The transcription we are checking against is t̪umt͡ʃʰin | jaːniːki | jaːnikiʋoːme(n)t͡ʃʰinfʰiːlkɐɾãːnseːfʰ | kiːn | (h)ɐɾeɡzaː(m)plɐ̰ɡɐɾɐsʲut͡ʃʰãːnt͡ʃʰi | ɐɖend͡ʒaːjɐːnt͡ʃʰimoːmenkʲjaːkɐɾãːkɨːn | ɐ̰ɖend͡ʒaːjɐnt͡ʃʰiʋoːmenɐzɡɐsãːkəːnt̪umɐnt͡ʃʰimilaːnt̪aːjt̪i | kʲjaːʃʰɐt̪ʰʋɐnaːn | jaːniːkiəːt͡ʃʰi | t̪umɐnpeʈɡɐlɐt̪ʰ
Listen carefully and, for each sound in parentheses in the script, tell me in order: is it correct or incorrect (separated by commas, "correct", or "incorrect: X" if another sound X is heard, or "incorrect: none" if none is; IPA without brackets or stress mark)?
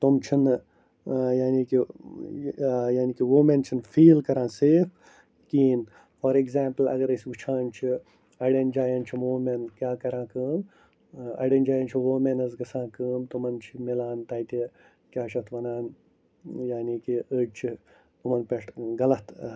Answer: correct, incorrect: f, correct